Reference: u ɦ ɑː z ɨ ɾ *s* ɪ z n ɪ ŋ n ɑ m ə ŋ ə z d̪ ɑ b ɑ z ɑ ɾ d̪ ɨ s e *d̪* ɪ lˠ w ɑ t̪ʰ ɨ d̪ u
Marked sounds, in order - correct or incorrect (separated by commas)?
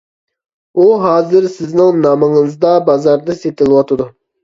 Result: correct, incorrect